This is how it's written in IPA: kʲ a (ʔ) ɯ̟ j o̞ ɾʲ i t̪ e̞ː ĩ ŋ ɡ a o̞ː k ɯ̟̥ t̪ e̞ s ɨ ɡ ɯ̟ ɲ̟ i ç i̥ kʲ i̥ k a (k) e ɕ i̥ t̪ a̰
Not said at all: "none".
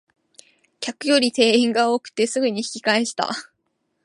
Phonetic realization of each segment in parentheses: k, none

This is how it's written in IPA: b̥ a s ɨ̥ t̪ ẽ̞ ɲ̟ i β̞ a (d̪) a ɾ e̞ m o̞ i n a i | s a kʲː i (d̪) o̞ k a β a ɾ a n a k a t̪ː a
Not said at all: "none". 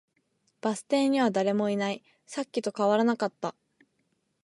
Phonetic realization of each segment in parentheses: d̪, t̪

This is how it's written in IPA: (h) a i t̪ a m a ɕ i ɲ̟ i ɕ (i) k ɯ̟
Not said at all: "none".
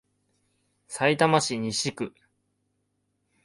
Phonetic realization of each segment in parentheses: s, i

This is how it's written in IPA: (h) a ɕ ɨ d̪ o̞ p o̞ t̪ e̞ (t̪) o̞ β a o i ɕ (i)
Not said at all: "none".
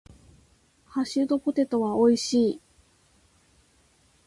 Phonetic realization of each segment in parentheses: h, t̪, iː

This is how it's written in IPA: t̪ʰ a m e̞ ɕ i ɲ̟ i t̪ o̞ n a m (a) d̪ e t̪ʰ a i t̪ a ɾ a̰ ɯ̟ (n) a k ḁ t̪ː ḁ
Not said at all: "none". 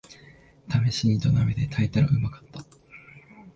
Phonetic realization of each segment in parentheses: e, m

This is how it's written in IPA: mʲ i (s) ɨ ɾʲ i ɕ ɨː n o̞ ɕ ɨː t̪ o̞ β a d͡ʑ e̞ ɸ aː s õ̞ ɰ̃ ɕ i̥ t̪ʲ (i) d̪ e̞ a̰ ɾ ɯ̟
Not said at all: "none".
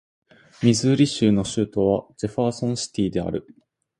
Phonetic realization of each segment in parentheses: z, iː

